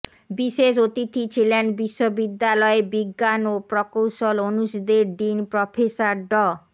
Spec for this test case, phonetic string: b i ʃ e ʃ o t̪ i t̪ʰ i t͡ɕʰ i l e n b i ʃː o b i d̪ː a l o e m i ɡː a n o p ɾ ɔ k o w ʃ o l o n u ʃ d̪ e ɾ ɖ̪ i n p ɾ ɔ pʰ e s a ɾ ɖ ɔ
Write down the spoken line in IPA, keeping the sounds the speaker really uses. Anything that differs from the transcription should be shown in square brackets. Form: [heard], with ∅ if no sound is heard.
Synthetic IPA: b i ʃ e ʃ o t̪ i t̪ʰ i t͡ɕʰ i l e n b i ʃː o b i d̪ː a l [ɔ] e [b] i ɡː a n o p ɾ ɔ k o w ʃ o l o n u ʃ d̪ e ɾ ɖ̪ i n p ɾ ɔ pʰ e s a ɾ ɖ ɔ